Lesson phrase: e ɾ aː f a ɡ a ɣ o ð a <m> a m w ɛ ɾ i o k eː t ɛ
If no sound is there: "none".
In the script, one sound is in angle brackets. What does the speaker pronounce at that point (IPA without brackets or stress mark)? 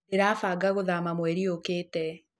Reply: m